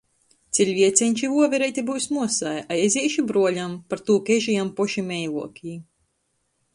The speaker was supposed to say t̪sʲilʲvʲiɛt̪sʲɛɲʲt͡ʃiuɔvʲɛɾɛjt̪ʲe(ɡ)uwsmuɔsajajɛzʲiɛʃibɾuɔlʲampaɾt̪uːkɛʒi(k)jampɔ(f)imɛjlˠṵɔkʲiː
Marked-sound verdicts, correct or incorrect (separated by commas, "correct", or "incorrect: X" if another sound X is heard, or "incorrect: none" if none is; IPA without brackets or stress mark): incorrect: b, incorrect: none, incorrect: ʃ